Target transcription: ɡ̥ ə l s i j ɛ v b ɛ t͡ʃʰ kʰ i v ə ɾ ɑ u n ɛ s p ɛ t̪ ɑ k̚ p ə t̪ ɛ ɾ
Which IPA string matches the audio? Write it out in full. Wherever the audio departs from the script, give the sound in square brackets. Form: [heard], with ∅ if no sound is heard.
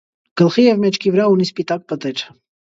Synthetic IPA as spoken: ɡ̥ ə l [χ] i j ɛ v [m] ɛ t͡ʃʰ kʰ i v ə ɾ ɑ u n [i] s p [i] t̪ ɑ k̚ p ə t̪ ɛ ɾ